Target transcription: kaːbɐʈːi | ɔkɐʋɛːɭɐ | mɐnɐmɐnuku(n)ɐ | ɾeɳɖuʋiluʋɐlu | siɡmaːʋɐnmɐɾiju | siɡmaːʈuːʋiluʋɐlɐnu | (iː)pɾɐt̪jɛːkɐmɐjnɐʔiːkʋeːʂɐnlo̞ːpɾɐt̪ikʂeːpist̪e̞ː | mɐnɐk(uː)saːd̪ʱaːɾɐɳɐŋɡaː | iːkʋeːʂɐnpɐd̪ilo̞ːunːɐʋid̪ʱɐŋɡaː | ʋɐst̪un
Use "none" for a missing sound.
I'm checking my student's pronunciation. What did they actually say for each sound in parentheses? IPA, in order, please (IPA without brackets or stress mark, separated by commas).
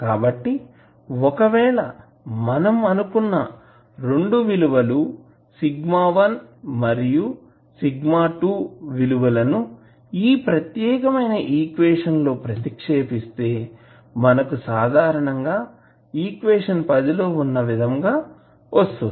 nː, iː, u